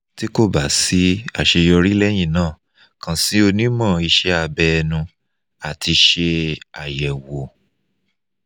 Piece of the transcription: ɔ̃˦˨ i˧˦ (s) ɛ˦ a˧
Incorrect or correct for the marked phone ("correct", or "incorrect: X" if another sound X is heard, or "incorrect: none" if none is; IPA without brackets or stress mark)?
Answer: incorrect: ʃ